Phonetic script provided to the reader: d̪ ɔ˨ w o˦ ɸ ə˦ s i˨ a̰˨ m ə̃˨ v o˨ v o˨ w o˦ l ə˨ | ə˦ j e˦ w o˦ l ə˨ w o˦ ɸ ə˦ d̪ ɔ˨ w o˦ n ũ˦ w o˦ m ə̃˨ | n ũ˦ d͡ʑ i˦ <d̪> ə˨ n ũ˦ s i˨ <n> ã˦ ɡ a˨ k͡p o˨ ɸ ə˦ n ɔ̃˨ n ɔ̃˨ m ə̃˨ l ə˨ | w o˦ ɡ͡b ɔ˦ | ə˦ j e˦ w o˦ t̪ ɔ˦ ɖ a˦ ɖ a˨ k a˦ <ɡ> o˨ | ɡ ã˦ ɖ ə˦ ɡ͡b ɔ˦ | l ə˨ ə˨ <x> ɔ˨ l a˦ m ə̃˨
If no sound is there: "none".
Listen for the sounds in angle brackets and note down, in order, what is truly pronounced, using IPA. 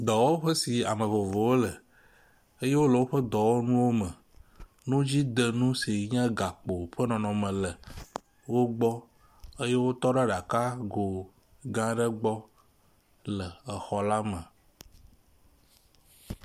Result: d̪, ɲ, ɡ, x

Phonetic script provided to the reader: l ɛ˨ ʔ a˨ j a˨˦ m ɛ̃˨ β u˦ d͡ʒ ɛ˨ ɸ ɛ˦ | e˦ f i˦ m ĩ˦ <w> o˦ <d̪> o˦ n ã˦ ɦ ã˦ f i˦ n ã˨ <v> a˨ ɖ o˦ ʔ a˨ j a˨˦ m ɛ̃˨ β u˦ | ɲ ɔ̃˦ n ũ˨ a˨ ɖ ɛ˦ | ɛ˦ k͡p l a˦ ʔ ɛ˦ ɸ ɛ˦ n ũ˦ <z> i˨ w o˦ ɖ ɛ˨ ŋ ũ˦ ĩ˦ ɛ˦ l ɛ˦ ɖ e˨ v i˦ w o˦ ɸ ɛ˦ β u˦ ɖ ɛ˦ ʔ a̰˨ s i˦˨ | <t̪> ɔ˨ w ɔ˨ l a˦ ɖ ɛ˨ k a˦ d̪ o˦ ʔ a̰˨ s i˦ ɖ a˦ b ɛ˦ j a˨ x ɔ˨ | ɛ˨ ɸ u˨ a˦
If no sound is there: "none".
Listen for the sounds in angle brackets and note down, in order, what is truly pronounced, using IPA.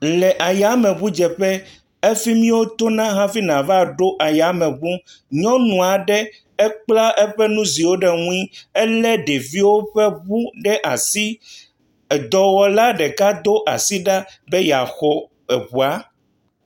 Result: w, t̪, v, z, d̪

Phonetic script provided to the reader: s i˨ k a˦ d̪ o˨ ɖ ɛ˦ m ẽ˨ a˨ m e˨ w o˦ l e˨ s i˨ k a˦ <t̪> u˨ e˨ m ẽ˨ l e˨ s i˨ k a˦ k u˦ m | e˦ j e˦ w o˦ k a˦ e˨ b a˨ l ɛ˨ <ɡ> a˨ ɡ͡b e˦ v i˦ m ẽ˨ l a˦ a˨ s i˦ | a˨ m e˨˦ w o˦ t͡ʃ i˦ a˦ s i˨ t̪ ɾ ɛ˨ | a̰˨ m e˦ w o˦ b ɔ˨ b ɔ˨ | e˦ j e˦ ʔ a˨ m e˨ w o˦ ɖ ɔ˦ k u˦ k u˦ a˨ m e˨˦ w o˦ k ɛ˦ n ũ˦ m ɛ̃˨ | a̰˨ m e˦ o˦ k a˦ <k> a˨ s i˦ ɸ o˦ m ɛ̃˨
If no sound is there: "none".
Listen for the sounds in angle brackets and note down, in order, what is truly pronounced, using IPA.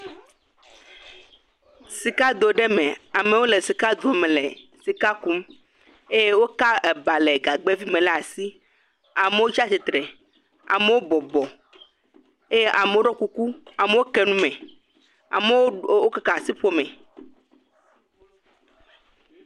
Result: d̪, ɡ, k

